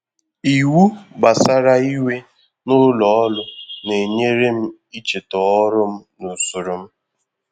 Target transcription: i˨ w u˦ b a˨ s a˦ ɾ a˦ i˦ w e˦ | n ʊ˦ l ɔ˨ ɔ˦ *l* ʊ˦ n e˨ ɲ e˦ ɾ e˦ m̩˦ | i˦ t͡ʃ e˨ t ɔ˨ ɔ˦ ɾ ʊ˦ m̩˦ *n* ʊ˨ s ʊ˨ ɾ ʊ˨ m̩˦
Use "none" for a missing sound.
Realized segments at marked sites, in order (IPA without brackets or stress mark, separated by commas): l, n